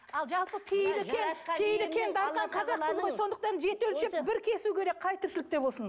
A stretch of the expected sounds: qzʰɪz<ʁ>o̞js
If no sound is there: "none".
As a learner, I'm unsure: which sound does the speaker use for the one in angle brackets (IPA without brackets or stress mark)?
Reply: ʁ